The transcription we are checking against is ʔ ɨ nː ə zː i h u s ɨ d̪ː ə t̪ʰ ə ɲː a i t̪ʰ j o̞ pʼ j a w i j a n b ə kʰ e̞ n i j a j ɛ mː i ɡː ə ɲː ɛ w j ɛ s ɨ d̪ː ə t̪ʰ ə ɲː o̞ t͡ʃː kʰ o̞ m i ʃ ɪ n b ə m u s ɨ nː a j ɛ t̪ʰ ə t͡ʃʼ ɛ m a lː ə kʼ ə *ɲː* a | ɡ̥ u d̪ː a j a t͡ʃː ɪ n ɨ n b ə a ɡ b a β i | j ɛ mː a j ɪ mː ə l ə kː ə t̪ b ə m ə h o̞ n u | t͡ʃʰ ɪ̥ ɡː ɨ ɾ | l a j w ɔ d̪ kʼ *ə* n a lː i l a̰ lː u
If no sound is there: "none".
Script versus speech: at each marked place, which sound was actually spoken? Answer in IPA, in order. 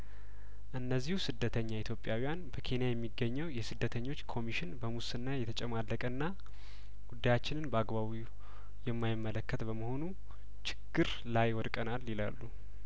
nː, ə

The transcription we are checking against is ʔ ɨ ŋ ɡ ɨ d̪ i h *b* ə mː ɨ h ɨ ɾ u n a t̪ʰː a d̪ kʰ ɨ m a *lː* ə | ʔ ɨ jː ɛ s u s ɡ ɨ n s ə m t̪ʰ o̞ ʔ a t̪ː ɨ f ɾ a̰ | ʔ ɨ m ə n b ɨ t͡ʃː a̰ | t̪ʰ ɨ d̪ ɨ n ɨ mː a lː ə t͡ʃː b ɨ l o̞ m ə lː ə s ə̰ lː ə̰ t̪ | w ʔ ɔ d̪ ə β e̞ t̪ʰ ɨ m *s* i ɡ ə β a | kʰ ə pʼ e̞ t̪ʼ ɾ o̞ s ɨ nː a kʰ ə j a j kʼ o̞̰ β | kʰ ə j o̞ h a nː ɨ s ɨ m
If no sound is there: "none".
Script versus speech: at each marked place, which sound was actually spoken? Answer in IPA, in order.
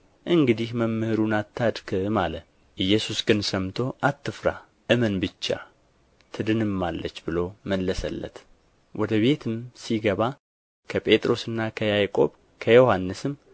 m, l, s

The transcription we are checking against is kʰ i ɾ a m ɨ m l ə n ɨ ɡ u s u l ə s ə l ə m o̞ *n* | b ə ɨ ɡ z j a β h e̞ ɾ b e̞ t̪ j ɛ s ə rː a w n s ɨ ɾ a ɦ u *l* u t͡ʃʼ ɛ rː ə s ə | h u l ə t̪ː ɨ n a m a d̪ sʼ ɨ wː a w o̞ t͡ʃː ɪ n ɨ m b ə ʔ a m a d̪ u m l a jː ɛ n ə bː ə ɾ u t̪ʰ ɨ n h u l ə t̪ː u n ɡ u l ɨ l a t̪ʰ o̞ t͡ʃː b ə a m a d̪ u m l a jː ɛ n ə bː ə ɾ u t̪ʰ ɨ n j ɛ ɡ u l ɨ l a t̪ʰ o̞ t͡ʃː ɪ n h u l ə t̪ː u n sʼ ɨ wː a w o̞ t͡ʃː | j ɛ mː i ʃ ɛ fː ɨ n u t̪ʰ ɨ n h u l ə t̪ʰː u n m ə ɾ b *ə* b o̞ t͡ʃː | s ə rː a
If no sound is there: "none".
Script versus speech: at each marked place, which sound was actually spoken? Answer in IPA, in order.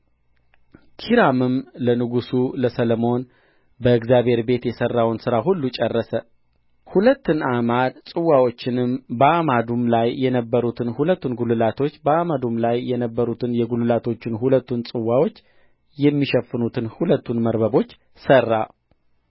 n, lː, ə

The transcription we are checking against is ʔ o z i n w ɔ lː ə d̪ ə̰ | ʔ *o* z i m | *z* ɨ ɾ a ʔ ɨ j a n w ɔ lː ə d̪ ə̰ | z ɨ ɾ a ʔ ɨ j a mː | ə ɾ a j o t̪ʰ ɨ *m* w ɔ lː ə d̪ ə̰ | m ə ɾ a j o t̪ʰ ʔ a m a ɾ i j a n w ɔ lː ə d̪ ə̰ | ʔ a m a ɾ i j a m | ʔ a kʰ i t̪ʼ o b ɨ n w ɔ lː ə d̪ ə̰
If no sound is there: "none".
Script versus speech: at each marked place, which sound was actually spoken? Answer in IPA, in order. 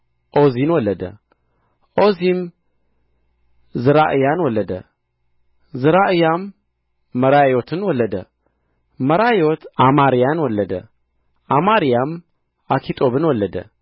o, z, n

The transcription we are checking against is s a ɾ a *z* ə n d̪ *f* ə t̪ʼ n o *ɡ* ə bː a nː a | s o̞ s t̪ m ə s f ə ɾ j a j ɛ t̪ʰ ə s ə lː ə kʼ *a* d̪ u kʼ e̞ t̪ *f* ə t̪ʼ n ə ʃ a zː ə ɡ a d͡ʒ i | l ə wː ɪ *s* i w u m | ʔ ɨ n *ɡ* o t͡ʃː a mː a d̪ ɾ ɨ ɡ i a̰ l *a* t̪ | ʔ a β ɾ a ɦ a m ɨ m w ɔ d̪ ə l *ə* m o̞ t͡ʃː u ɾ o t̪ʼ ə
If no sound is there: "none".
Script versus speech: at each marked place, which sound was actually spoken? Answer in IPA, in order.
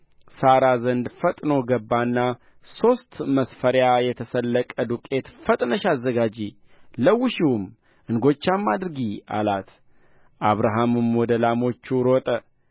z, f, ɡ, ə, f, ʃ, ɡ, a, a

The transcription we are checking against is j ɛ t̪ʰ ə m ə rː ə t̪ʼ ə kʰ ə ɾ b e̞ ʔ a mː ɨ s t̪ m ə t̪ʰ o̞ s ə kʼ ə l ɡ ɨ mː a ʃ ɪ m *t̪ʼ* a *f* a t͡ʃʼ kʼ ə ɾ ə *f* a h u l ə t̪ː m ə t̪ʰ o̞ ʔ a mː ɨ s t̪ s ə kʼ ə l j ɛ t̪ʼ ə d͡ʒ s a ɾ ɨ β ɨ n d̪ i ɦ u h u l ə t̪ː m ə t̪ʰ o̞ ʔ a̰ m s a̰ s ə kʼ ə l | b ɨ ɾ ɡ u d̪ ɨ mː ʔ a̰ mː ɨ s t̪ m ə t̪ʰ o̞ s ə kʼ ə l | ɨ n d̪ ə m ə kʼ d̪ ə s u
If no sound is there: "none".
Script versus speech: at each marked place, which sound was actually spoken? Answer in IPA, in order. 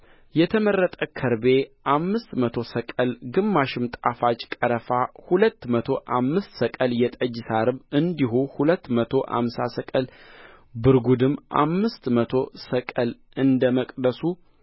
t̪ʼ, f, f

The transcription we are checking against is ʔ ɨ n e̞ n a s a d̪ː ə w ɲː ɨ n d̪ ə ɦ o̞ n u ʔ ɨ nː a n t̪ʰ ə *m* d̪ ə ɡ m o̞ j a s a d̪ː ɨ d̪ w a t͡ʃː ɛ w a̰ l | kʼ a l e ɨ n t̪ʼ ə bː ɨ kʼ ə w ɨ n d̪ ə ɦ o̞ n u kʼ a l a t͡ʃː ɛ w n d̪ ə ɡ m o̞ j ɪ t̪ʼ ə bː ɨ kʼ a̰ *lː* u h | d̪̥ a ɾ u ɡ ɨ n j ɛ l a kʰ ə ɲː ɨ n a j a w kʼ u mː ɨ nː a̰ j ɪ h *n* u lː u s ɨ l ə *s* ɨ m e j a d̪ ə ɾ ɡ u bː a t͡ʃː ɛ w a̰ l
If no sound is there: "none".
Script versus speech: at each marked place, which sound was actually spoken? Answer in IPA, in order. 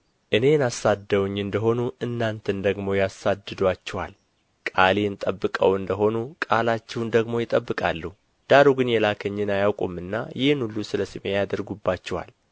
n, lː, n, s

